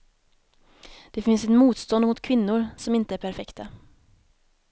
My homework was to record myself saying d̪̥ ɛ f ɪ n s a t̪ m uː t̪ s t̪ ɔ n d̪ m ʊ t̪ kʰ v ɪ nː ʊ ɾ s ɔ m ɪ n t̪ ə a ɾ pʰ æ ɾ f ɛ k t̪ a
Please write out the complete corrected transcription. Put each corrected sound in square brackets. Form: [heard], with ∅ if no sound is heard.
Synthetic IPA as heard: d̪̥ ɛ f ɪ n s [ɛ] t̪ m uː t̪ s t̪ ɔ n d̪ m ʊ t̪ kʰ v ɪ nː ʊ ɾ s ɔ m ɪ n t̪ ə [æ] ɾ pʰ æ ɾ f ɛ k t̪ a